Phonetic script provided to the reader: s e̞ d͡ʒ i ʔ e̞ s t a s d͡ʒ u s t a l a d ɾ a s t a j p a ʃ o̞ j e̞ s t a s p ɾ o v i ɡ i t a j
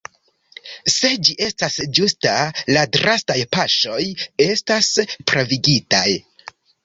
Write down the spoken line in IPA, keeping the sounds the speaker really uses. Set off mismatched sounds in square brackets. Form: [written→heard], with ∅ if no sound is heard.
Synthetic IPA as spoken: s e̞ d͡ʒ i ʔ e̞ s t a s d͡ʒ u s t a l a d ɾ a s t a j p a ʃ o̞ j e̞ s t a s p ɾ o v i ɡ i t a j

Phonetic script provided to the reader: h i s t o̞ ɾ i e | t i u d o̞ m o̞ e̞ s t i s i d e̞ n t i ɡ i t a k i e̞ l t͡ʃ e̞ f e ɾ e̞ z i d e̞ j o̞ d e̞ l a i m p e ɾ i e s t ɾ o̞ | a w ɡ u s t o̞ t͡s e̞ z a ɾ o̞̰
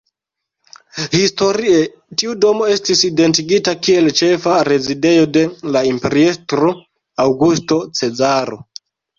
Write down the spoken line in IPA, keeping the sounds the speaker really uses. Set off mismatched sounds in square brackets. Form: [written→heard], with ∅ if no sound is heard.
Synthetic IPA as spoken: h i s t o̞ ɾ i e | t i u d o̞ m o̞ e̞ s t i s i d e̞ n t i ɡ i t a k i e̞ l t͡ʃ e̞ f [e→a] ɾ e̞ z i d e̞ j o̞ d e̞ l a i m p e ɾ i e s t ɾ o̞ | a w ɡ u s t o̞ t͡s e̞ z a ɾ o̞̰

